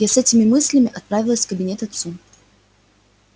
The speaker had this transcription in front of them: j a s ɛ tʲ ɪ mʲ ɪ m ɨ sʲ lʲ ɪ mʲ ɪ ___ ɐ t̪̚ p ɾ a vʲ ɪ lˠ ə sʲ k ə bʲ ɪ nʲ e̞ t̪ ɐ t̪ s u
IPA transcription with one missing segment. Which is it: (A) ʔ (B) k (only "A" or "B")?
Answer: A